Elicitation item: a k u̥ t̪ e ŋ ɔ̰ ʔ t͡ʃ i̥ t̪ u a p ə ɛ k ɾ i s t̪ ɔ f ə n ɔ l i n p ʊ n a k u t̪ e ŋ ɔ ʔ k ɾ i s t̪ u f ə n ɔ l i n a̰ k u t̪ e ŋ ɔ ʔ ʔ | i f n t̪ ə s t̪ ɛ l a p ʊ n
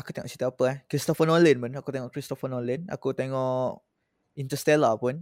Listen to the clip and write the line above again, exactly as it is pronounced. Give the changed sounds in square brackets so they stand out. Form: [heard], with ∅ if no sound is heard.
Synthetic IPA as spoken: a k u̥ t̪ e ŋ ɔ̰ ʔ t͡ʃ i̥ t̪ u a p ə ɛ k ɾ i s t̪ ɔ f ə n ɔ l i n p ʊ n a k u t̪ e ŋ ɔ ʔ k ɾ i s t̪ [ɔ] f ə n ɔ l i n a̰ k u t̪ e ŋ ɔ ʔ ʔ | i [∅] n t̪ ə s t̪ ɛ l a p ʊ n